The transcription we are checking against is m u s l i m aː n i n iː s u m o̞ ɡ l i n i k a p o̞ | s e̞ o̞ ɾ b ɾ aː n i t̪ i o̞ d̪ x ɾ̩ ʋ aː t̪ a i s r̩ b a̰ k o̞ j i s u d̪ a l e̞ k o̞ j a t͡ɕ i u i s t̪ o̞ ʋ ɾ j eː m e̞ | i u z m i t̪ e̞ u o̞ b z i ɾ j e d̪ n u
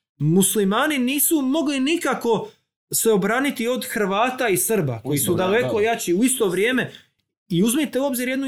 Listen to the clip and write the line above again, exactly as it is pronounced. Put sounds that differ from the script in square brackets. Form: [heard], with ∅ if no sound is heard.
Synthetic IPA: m u s l i m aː n i n iː s u m o̞ ɡ l i n i k a [k] o̞ | s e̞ o̞ [∅] b ɾ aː n i t̪ i o̞ d̪ x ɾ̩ ʋ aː t̪ a i s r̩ b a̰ k o̞ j i s u d̪ a l e̞ k o̞ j a t͡ɕ i u i s t̪ o̞ ʋ ɾ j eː m e̞ | i u z m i t̪ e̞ u o̞ b z i ɾ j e d̪ n u